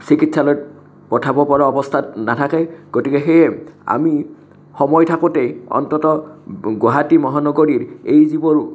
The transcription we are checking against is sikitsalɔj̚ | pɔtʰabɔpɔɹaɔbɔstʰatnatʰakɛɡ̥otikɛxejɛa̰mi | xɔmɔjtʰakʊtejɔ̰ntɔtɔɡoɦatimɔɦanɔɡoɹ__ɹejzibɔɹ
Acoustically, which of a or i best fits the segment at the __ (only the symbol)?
i